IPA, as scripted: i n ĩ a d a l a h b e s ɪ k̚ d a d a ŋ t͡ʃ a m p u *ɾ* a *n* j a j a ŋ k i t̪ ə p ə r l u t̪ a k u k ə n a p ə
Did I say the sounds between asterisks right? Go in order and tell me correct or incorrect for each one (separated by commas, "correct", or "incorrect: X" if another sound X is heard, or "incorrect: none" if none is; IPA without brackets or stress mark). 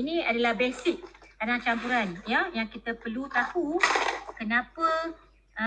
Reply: correct, correct